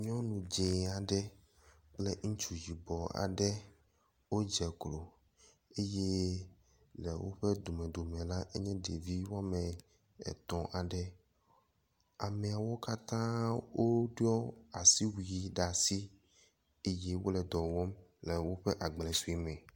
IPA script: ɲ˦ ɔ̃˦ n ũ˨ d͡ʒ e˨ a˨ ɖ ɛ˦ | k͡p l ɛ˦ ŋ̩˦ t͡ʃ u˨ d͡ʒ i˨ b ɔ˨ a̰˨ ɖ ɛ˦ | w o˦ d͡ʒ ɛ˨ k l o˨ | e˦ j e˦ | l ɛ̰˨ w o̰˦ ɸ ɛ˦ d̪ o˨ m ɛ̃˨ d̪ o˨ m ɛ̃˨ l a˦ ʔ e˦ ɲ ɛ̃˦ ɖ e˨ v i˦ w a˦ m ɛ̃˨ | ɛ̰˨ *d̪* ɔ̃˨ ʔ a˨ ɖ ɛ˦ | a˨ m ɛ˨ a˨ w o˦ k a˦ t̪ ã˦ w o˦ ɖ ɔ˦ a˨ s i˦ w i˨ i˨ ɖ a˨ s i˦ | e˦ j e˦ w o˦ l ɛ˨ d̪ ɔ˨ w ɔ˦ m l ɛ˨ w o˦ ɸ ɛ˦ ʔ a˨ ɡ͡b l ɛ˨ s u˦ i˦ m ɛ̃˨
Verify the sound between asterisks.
incorrect: t̪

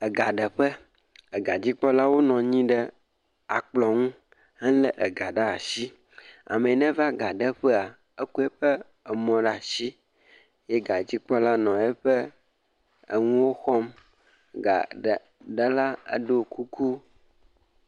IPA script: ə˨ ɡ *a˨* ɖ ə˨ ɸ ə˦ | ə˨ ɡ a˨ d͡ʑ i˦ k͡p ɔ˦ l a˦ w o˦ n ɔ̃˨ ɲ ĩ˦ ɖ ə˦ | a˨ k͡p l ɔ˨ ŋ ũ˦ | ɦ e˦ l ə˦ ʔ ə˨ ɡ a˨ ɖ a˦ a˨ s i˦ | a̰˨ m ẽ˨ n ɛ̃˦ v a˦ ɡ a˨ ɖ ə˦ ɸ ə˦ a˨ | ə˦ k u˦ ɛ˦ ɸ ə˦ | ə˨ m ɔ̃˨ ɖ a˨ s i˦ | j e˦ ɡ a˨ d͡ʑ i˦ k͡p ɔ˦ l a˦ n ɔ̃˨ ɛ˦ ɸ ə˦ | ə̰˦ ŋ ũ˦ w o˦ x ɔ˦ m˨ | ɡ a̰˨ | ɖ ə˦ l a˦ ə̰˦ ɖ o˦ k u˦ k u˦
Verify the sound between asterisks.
correct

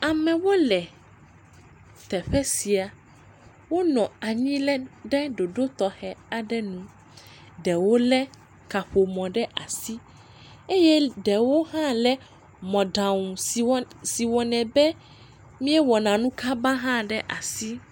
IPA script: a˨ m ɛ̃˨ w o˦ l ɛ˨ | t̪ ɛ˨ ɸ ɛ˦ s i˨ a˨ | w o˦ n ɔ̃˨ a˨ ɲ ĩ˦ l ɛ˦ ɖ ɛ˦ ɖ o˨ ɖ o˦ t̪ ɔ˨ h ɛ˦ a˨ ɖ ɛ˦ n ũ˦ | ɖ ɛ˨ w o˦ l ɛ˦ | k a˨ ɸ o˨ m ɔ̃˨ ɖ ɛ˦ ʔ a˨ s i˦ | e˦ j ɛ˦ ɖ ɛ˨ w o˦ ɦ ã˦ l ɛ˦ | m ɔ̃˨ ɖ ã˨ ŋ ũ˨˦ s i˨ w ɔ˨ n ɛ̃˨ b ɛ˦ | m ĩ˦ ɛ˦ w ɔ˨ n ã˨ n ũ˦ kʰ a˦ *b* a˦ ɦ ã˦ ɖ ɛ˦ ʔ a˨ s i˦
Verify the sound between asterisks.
correct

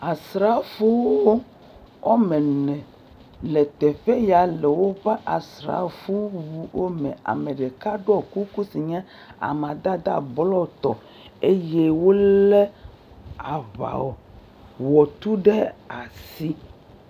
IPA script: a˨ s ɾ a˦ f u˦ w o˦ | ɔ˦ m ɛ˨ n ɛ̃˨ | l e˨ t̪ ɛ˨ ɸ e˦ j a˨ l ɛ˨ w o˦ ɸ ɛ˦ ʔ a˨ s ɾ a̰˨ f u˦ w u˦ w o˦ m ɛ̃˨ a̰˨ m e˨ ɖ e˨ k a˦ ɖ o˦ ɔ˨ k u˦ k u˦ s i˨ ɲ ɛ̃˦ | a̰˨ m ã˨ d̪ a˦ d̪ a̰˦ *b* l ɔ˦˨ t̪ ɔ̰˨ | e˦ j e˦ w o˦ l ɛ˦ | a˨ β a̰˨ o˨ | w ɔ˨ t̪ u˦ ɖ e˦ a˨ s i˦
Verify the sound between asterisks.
correct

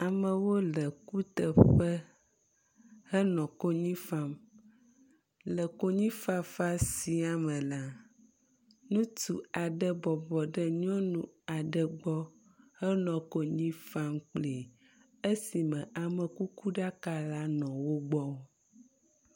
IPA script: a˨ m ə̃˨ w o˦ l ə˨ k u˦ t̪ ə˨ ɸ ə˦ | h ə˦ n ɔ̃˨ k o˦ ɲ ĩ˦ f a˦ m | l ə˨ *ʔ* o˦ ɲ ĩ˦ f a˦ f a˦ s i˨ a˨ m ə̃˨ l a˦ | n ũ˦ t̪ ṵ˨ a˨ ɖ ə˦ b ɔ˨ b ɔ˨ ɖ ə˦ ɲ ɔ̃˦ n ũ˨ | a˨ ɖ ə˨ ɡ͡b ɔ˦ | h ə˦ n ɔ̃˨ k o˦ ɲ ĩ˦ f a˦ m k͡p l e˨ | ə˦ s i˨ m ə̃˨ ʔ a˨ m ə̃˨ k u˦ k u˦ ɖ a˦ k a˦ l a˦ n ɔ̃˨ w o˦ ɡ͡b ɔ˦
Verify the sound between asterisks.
incorrect: k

